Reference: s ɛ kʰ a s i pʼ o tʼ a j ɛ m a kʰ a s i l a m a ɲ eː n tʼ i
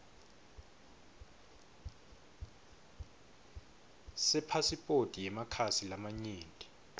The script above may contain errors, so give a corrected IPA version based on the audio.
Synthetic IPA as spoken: s ɛ pʰ a s i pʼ o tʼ i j ɛ m a kʰ a s i l a m a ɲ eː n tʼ i